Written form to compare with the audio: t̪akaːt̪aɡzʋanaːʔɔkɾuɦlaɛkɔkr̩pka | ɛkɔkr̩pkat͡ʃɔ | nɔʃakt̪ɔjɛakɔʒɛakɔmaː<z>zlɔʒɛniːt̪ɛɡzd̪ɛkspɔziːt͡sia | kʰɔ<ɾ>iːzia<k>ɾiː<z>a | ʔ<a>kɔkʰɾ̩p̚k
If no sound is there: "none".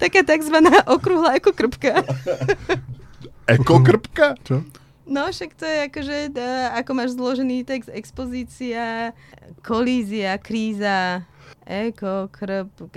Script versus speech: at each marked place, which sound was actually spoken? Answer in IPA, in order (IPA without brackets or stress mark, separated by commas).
ʒ, l, k, z, ɛ